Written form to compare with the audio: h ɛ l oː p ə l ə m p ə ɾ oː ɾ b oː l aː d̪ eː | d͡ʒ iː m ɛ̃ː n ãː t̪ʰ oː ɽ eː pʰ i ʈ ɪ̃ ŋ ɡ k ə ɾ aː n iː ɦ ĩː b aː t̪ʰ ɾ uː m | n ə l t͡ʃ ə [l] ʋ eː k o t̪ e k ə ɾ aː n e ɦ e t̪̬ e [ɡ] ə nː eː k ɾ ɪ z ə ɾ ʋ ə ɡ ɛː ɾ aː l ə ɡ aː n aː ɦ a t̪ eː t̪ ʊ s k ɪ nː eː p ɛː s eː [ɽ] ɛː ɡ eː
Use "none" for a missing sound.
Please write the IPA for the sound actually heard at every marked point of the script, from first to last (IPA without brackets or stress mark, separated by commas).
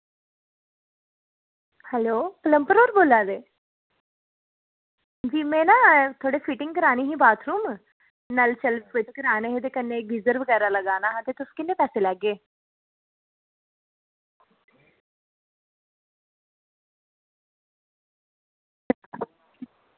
l, k, l